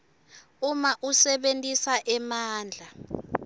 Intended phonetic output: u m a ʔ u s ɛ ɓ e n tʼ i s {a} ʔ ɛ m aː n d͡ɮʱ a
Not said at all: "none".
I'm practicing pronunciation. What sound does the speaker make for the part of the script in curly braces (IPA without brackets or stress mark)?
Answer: a